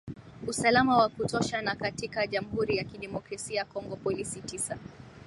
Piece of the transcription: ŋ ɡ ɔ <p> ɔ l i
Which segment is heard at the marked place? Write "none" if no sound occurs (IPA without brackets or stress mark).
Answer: p